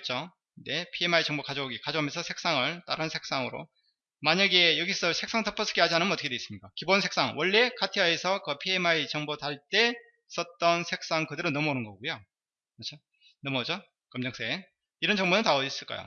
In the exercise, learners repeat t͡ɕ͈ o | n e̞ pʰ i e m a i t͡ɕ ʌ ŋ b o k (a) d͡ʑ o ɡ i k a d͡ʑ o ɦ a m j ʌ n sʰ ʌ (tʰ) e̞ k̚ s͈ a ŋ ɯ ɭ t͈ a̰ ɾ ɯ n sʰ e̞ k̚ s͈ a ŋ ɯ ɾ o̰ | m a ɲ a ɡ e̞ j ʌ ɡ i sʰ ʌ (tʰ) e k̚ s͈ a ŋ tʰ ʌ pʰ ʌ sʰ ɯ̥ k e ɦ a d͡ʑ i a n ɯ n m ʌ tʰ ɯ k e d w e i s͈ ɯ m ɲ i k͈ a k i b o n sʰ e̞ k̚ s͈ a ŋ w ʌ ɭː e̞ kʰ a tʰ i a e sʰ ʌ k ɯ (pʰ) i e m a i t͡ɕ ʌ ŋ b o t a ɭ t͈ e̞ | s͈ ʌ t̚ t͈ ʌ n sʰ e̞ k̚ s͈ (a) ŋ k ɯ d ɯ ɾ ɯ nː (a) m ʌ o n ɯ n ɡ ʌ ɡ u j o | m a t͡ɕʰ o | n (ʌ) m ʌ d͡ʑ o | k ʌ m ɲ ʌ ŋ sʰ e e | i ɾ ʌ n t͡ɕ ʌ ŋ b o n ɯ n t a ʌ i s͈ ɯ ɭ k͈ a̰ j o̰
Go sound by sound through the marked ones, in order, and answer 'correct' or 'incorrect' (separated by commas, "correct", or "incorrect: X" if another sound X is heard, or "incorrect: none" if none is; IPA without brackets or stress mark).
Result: correct, incorrect: sʰ, incorrect: sʰ, correct, correct, incorrect: ʌ, correct